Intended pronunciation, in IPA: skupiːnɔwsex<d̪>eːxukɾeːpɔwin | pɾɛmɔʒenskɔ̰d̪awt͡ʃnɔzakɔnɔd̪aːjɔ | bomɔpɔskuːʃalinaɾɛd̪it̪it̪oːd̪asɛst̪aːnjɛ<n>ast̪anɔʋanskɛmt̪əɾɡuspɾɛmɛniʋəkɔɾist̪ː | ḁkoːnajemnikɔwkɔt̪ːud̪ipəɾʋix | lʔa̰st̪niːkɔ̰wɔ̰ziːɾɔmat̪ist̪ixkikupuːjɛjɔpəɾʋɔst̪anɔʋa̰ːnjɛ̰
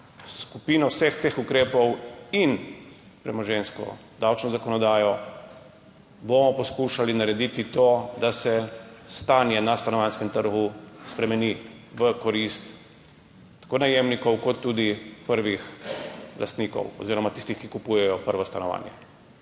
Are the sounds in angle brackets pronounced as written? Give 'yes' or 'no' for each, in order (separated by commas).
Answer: no, yes